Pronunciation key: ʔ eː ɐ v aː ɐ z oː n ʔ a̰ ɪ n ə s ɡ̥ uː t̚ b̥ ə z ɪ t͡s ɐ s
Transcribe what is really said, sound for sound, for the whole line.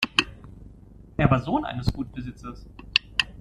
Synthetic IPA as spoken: ʔ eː ɐ v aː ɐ z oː n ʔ a̰ ɪ n ə s ɡ̥ uː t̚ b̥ ə z ɪ t͡s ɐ s